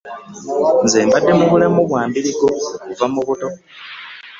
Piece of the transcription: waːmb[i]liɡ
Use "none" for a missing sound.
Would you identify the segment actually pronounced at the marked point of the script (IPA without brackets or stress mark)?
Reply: i